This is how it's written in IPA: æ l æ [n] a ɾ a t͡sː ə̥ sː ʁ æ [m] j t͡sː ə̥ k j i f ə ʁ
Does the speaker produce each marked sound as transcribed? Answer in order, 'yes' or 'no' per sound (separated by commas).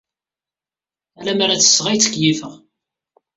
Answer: no, no